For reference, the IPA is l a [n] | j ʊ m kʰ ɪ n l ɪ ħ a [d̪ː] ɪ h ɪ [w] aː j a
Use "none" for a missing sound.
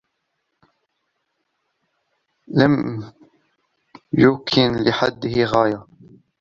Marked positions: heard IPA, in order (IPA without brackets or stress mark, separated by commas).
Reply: m, d̪ː, ɣ